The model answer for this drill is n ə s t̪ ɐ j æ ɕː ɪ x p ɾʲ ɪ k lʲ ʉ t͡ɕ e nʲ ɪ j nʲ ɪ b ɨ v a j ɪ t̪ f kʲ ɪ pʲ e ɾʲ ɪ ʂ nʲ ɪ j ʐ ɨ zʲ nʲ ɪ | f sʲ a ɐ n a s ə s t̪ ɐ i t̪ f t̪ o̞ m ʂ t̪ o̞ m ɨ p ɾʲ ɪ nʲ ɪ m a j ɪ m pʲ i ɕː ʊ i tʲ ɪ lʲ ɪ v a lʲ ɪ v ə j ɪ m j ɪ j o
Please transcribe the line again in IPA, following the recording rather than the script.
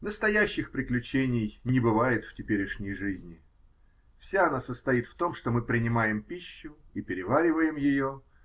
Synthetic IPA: n ə s t̪ ɐ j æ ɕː ɪ x p ɾʲ ɪ k lʲ ʉ t͡ɕ e nʲ ɪ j nʲ ɪ b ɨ v a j ɪ t̪ f tʲ ɪ pʲ e ɾʲ ɪ ʂ nʲ ɪ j ʐ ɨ zʲ nʲ ɪ | f sʲ a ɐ n a s ə s t̪ ɐ i t̪ f t̪ o̞ m ʂ t̪ o̞ m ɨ p ɾʲ ɪ nʲ ɪ m a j ɪ m pʲ i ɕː ʊ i pʲ ɪ ɾʲ ɪ v a ɾʲ ɪ v ə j ɪ m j ɪ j o